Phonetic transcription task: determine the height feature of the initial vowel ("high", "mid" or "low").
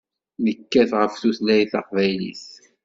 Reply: mid